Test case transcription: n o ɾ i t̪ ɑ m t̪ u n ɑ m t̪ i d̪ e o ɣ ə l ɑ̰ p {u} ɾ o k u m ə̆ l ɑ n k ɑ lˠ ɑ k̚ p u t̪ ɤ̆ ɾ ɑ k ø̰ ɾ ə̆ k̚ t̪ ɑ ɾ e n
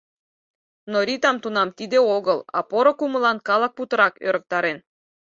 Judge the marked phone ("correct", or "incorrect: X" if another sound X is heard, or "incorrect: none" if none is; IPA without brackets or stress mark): incorrect: o